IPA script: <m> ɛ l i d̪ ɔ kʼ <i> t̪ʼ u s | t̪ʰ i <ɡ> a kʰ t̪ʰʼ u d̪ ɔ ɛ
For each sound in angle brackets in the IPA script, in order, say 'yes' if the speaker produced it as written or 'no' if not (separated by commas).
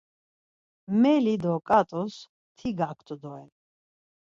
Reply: yes, no, yes